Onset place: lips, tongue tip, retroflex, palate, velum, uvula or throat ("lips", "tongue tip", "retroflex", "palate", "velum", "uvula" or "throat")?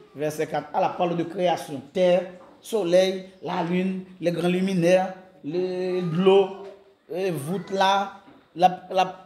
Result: lips